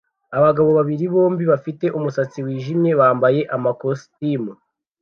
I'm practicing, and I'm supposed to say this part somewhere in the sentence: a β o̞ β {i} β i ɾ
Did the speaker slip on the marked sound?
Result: yes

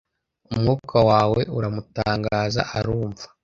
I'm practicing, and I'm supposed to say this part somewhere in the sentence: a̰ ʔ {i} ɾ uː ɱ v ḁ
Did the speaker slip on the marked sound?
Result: yes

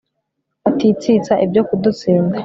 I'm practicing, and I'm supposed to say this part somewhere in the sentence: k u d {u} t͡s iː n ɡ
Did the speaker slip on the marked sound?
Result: no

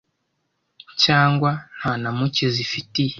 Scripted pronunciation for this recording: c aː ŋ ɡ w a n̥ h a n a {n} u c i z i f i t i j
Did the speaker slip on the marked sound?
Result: yes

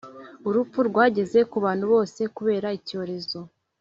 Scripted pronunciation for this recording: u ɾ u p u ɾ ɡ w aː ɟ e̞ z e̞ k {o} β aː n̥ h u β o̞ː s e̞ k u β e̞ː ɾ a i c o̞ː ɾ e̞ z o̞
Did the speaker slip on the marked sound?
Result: yes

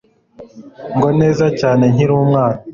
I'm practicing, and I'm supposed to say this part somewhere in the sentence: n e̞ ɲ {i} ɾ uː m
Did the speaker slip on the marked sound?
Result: no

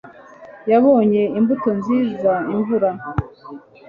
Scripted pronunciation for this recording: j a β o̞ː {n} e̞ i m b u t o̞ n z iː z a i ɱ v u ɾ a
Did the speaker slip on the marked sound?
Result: yes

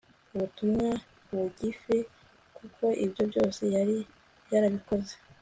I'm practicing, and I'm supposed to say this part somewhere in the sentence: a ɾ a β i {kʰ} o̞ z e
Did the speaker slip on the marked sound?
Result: yes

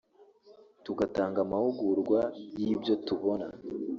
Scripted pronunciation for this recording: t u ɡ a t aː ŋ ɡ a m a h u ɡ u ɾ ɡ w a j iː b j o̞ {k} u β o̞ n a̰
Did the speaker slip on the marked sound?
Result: yes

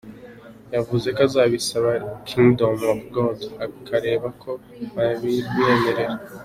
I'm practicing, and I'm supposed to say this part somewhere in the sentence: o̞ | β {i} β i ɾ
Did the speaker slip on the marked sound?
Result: yes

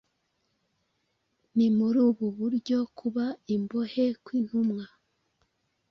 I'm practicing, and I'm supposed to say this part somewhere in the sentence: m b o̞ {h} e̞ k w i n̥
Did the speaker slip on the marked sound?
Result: no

